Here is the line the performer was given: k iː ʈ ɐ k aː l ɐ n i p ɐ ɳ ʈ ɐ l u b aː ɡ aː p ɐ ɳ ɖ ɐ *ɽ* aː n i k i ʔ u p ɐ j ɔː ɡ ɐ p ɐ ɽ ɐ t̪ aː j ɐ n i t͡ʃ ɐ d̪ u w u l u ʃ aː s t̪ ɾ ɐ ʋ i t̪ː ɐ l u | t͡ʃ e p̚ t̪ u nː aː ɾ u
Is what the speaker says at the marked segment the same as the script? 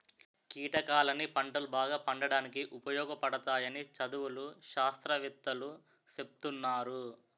yes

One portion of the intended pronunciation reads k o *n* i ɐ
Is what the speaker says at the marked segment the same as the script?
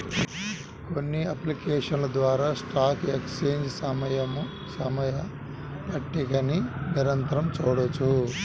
no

